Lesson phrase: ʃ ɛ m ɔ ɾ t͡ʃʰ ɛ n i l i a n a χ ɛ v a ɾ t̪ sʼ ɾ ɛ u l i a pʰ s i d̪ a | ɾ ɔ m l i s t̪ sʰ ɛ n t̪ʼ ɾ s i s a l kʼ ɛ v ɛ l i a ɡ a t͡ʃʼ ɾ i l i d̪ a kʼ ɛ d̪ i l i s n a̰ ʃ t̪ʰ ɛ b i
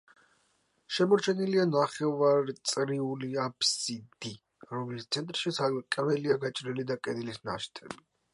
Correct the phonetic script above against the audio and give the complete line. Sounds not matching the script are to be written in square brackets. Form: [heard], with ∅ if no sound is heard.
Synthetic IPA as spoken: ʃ ɛ m ɔ ɾ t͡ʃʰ ɛ n i l i a n a χ ɛ v a ɾ t̪ sʼ ɾ [i] u l i a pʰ s i d̪ [i] | ɾ ɔ m l i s t̪ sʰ ɛ n t̪ʼ ɾ [ʃ] i s a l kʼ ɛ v ɛ l i a ɡ a t͡ʃʼ ɾ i l i d̪ a kʼ ɛ d̪ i l i s n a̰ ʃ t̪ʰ ɛ b i